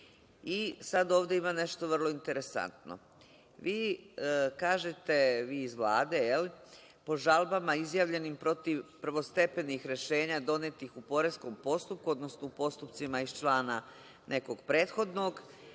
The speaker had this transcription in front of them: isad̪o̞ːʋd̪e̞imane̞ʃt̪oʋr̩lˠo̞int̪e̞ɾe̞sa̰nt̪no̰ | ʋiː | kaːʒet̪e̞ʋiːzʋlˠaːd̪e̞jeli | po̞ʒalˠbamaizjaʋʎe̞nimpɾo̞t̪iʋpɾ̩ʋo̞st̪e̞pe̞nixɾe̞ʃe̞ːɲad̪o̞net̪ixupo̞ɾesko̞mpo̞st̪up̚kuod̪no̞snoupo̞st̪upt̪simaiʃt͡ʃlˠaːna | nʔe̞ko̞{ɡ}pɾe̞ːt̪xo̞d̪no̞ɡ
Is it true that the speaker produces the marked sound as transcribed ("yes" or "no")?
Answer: yes